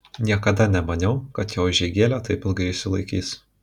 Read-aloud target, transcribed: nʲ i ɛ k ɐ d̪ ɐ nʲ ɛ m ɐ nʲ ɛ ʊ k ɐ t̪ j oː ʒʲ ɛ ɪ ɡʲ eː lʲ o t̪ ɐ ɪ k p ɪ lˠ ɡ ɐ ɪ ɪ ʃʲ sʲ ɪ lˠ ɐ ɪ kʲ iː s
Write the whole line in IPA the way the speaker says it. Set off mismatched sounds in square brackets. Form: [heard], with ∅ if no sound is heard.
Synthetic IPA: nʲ i ɛ k ɐ d̪ ɐ nʲ ɛ m ɐ nʲ ɛ ʊ k ɐ t̪ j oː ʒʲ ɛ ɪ ɡʲ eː lʲ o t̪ ɐ ɪ [∅] p ɪ lˠ ɡ ɐ ɪ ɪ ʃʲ sʲ ɪ lˠ ɐ ɪ kʲ iː s